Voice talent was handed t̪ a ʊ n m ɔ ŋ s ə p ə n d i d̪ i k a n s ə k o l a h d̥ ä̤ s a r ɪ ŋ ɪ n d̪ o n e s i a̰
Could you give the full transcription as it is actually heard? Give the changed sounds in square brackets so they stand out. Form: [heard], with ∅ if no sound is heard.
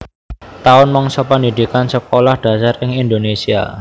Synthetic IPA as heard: t̪ a ʊ n m ɔ ŋ s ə p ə n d i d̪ i k a n s ə k o l a h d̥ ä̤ s a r ɪ ŋ [i] n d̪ o n e s i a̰

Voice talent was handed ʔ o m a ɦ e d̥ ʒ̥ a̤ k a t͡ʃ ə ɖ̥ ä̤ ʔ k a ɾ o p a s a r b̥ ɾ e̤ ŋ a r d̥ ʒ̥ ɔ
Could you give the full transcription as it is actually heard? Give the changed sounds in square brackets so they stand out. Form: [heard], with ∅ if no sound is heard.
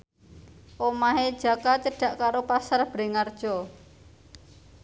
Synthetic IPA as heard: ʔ o m a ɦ e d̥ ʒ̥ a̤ k a t͡ʃ ə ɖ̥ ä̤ ʔ k a ɾ o p a s a r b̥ ɾ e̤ ŋ a r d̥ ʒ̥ ɔ

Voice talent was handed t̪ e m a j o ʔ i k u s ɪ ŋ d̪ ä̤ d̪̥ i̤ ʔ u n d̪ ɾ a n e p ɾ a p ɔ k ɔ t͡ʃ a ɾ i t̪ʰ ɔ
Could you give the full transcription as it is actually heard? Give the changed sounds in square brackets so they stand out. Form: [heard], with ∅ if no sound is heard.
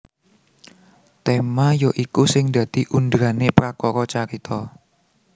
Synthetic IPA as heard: t̪ e m a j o ʔ i k u s ɪ ŋ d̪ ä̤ d̪̥ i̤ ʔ u n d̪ ɾ a n e p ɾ a [k] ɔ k ɔ t͡ʃ a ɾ i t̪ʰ ɔ

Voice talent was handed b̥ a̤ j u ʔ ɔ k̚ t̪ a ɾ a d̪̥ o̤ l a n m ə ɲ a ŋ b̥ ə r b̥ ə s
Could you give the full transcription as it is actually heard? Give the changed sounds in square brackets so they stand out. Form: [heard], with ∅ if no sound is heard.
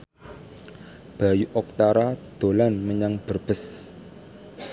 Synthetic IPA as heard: b̥ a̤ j u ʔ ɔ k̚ t̪ a ɾ a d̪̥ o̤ l a n m ə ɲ a ŋ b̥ ə r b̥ ə s

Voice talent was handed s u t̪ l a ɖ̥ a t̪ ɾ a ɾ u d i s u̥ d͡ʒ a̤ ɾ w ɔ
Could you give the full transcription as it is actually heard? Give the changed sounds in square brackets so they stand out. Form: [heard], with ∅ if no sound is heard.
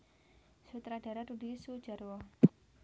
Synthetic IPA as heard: s u t̪ [ɾ] a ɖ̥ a [∅] ɾ a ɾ u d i s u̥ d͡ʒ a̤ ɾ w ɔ

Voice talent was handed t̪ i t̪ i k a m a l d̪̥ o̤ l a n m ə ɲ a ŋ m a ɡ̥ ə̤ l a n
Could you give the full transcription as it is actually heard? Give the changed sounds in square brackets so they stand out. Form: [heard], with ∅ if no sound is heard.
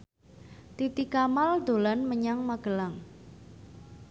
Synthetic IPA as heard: t̪ i t̪ i k a m a l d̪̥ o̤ l a n m ə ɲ a ŋ m a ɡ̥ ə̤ l a [ŋ]

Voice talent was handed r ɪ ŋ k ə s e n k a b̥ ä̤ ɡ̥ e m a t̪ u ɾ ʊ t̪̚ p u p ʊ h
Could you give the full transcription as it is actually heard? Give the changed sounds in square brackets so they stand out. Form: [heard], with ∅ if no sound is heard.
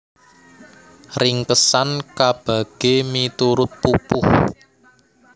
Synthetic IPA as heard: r ɪ ŋ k ə s [a] n k a b̥ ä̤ ɡ̥ e m [i] t̪ u ɾ ʊ t̪̚ p u p ʊ h

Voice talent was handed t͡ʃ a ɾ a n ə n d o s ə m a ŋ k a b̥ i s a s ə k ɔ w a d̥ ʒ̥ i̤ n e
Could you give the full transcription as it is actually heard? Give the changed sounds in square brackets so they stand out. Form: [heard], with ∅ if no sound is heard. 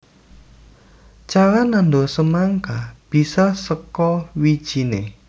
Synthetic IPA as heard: t͡ʃ a ɾ a n [a] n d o s ə m a ŋ k a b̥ i s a s ə k ɔ w [i] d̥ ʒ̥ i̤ n e

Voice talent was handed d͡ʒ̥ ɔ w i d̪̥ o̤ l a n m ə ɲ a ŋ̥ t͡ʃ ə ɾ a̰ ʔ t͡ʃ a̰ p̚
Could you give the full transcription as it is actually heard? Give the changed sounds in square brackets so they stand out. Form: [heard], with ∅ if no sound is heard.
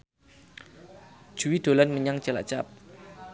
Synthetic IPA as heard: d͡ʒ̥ [u] w i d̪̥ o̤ l a n m ə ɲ a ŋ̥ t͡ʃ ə [l] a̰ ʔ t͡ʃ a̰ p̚

